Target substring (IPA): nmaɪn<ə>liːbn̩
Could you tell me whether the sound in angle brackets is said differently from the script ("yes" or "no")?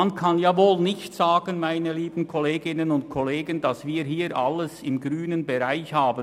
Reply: no